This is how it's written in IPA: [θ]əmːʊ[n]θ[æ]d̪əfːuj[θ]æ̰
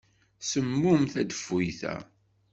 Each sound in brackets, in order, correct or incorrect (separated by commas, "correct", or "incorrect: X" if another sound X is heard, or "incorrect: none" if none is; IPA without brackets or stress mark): incorrect: s, incorrect: m, correct, correct